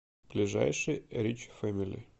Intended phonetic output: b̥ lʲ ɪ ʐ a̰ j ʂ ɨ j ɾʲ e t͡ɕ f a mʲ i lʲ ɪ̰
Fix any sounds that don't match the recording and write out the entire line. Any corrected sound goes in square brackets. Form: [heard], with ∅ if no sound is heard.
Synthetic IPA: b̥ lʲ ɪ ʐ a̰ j ʂ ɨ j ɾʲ [i] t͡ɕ f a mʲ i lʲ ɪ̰